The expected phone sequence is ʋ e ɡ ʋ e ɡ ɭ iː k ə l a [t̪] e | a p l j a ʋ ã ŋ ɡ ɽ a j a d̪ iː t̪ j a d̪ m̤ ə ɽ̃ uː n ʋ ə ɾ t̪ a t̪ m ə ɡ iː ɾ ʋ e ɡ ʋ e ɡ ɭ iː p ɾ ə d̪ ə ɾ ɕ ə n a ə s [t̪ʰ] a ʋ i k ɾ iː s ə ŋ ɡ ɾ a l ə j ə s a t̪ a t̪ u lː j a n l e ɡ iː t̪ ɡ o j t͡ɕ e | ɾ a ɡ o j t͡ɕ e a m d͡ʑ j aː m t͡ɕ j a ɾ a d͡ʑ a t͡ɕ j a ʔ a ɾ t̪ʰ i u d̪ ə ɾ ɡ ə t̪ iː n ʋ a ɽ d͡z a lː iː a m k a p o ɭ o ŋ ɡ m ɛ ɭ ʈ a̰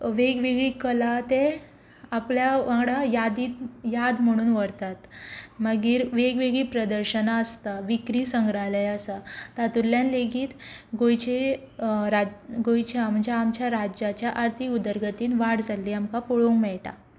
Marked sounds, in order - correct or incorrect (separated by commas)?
correct, incorrect